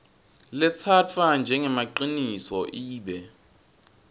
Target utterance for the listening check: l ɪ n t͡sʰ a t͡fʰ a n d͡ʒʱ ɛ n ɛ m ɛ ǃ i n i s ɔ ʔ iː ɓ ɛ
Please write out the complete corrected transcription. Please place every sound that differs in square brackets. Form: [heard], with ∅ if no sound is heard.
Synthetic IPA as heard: l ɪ [∅] t͡sʰ a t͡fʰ a n d͡ʒʱ ɛ [ŋ] ɛ m [a] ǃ i n i s ɔ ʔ iː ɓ ɛ